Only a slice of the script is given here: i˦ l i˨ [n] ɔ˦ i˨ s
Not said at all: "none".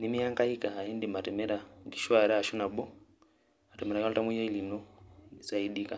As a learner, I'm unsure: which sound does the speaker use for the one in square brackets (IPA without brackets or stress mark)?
n